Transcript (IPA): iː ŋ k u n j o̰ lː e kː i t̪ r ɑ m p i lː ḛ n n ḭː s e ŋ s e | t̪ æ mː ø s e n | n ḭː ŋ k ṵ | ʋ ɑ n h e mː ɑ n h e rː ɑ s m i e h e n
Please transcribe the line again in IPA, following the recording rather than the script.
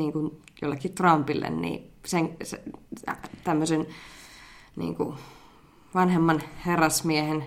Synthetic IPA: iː ŋ k u n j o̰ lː e kː i t̪ r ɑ m p i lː ḛ n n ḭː s e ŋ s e | t̪ æ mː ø s e n | n ḭː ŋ k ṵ | ʋ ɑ n h e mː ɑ n h e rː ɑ s m i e h e n